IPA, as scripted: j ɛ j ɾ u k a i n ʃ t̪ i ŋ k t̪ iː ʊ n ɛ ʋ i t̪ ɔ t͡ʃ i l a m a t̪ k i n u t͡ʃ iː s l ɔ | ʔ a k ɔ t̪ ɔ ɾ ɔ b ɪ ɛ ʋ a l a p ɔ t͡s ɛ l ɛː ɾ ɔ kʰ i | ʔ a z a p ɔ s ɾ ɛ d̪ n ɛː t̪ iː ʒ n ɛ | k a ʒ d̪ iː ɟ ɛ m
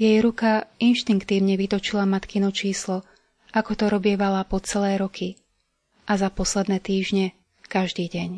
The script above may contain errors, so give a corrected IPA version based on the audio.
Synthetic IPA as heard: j ɛ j ɾ u k a i n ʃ t̪ i ŋ k t̪ iː ʊ ɲ ɛ ʋ i t̪ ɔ t͡ʃ i l a m a t̪ k i n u t͡ʃ iː s l ɔ | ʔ a k ɔ t̪ ɔ ɾ ɔ b ɪ ɛ ʋ a l a p ɔ t͡s ɛ l ɛː ɾ ɔ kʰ i | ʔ a z a p ɔ s l ɛ d̪ n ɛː t̪ iː ʒ ɲ ɛ | k a ʒ d̪ iː ɟ ɛ ɲ